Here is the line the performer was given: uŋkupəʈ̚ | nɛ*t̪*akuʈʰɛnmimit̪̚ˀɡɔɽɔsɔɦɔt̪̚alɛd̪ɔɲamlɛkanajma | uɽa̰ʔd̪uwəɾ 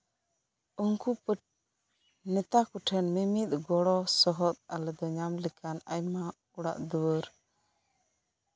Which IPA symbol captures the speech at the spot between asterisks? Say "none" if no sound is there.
t̪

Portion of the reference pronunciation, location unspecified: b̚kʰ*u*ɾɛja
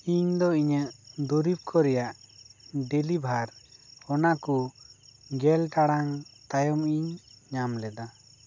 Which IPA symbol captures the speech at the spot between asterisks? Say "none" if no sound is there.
ɔ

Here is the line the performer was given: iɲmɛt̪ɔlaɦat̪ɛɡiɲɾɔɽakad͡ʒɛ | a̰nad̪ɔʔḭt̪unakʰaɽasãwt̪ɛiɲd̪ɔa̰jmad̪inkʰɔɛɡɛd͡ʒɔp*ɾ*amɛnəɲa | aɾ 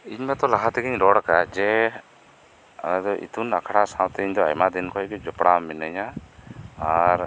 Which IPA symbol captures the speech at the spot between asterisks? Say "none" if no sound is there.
ɽ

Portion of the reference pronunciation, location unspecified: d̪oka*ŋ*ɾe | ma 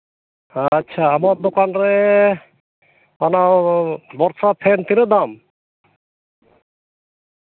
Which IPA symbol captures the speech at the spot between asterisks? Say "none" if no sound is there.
n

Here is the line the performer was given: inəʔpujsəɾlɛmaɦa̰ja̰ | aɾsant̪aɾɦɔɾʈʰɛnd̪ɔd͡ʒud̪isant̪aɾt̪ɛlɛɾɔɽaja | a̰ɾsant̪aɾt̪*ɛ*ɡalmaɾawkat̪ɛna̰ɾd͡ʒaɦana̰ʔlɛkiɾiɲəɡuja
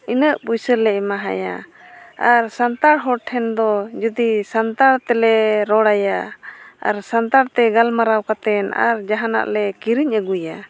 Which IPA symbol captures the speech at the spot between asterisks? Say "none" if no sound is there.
ɛ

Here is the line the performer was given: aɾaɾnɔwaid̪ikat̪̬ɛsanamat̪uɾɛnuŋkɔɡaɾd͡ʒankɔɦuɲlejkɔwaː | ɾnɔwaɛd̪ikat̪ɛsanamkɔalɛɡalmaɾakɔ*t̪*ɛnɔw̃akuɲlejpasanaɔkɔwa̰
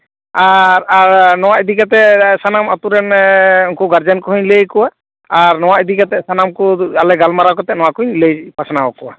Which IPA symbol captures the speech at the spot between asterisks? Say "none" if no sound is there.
t̪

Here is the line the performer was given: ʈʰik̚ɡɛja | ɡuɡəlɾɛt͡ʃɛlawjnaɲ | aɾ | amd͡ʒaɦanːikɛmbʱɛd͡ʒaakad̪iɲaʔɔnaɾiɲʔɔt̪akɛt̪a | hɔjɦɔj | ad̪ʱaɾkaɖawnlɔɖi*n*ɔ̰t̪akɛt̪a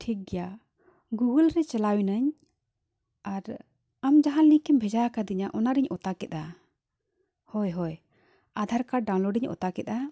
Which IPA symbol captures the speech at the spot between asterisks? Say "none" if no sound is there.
ɲ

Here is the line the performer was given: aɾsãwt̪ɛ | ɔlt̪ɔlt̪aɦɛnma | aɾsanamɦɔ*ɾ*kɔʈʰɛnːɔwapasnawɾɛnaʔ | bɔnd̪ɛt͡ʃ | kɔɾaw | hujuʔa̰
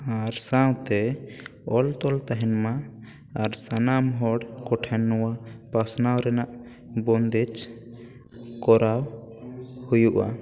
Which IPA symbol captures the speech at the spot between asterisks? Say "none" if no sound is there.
ɽ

